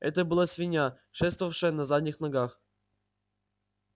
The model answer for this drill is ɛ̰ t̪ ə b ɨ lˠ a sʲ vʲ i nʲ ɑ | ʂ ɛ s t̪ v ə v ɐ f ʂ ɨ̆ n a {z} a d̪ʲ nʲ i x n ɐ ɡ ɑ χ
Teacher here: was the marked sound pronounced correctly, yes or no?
yes